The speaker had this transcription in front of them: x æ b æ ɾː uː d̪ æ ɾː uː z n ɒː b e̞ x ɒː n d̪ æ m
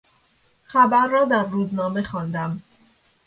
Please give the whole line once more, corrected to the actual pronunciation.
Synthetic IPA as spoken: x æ b æ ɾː ɒː d̪ æ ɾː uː z n ɒː m e̞ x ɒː n d̪ æ m